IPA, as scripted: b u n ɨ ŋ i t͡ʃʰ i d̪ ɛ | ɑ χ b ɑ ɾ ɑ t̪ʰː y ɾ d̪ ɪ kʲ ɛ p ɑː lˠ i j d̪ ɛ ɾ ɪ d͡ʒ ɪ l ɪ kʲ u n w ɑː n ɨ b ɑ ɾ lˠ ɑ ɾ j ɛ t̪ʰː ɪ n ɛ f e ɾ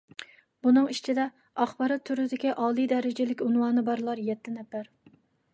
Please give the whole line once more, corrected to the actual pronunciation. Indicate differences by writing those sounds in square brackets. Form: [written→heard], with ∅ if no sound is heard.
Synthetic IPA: b u n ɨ ŋ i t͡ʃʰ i d̪ ɛ | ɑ χ b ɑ ɾ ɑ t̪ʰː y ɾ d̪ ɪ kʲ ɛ [p→ʔ] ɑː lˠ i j d̪ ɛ ɾ ɪ d͡ʒ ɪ l ɪ kʲ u n w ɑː n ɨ b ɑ ɾ lˠ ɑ ɾ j ɛ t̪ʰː ɪ n ɛ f [e→æ] ɾ